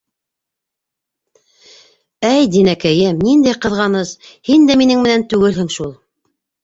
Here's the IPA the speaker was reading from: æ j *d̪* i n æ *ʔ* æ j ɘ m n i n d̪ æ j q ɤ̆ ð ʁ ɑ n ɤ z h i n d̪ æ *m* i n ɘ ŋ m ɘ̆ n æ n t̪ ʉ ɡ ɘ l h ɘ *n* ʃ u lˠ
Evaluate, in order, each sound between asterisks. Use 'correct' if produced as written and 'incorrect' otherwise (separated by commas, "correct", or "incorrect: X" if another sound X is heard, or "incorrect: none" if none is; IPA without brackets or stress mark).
correct, incorrect: k, correct, incorrect: ŋ